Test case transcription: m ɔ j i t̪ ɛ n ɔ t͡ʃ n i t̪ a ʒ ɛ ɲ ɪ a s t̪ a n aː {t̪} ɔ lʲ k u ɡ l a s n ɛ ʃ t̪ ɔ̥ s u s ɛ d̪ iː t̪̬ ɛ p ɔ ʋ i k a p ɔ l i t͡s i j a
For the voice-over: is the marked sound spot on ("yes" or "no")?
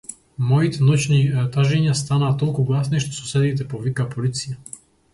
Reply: yes